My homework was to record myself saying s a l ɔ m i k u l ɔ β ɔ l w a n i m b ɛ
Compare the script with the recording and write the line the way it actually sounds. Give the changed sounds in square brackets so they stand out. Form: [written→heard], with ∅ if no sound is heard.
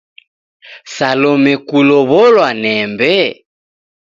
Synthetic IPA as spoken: s a l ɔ m [i→ɛ] k u l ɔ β ɔ l w a n [i→ɛ] m b ɛ